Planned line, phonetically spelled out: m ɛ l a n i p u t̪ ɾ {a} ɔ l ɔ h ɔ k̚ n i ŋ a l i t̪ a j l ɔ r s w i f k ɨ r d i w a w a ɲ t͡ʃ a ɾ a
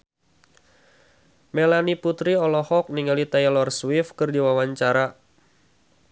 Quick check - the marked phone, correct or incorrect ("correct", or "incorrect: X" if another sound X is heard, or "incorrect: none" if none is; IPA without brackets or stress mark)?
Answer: incorrect: i